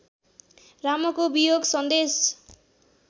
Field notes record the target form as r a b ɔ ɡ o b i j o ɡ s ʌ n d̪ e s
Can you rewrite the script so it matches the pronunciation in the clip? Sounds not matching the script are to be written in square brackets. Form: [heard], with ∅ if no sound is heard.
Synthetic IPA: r a [m] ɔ [k] o b i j o ɡ s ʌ n d̪ e s